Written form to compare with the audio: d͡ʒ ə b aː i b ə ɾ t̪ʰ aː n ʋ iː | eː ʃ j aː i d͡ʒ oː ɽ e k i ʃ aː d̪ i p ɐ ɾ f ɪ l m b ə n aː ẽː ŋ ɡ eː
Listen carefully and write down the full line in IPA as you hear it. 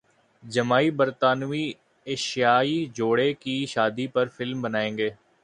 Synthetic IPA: d͡ʒ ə m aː i b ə ɾ t̪ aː n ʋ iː | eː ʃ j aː i d͡ʒ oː ɽ e k i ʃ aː d̪ i p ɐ ɾ f ɪ l m b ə n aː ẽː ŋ ɡ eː

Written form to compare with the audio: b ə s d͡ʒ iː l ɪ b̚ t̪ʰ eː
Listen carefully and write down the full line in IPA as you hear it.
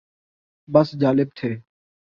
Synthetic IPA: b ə s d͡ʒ aː l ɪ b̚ t̪ʰ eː

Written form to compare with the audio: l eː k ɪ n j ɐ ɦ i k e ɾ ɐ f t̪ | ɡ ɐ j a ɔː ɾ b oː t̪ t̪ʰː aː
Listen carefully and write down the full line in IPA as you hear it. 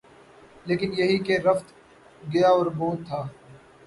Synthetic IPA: l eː k ɪ n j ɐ ɦ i k e ɾ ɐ f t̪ | ɡ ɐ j a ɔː ɾ b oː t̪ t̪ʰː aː

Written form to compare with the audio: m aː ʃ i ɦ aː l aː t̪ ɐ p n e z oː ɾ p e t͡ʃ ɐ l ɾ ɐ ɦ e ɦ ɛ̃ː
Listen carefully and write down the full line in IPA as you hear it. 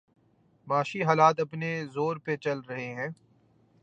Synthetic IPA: m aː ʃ i ɦ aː l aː t̪ ɐ p n e z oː ɾ p e t͡ʃ ɐ l ɾ ɐ ɦ e ɦ ɛ̃ː

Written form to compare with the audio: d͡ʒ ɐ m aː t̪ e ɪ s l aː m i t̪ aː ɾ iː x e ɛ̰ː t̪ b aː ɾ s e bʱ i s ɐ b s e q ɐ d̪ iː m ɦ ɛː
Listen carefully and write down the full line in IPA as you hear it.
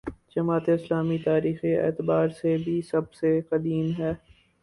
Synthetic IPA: d͡ʒ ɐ m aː t̪ e ɪ s l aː m i t̪ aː ɾ iː x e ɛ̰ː t̪ b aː ɾ s e bʱ i s ɐ b s e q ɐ d̪ iː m ɦ ɛː

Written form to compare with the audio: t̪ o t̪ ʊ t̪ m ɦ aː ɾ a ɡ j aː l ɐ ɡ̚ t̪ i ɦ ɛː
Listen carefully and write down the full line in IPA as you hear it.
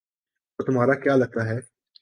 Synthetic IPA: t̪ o t̪ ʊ m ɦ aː ɾ a k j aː l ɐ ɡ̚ t̪ a ɦ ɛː

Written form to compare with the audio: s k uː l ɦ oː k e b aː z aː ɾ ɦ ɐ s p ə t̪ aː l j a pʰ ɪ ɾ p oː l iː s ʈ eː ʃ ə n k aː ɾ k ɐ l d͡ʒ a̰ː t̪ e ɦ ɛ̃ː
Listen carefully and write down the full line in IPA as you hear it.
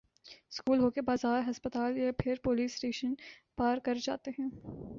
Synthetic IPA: s k uː l ɦ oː k e b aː z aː ɾ ɦ ɐ s p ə t̪ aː l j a pʰ ɪ ɾ p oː l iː s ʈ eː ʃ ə n p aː ɾ k ɐ ɾ d͡ʒ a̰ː t̪ e ɦ ɛ̃ː

